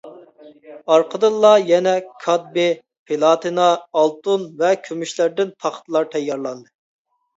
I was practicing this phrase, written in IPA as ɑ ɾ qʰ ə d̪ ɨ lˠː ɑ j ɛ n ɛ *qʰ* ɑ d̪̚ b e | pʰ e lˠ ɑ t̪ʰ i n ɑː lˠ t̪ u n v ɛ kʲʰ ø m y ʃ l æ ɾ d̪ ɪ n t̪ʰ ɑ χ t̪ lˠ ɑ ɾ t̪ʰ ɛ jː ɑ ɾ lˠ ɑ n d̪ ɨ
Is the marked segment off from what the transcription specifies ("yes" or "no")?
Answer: yes